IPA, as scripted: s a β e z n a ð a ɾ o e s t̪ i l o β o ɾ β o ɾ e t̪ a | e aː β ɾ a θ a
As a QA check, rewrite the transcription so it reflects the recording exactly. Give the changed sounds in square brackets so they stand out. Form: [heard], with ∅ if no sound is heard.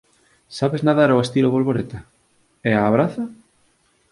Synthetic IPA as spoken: s a β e z n a ð a ɾ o e s t̪ i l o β o [l] β o ɾ e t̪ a | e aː β ɾ a θ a